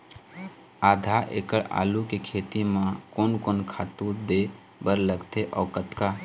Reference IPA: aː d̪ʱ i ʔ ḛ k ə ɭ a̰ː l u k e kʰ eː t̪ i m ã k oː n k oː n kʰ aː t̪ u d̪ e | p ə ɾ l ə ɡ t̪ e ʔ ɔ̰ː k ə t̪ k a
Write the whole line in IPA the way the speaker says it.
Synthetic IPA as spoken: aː d̪ʱ a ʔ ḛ k ə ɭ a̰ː l u k e kʰ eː t̪ i m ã k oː n k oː n kʰ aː t̪ u d̪ e | b ə ɾ l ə ɡ t̪ e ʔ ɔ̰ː k ə t̪ k a